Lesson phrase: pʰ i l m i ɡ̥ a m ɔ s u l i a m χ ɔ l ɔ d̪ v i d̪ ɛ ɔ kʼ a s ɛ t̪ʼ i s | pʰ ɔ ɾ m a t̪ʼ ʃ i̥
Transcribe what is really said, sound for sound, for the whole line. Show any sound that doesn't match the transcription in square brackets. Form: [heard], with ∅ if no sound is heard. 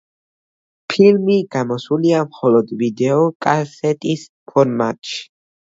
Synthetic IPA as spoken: pʰ i l m i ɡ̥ a m ɔ s u l i a m χ ɔ l ɔ d̪ v i d̪ ɛ ɔ kʼ a s ɛ t̪ʼ i s | pʰ ɔ ɾ m a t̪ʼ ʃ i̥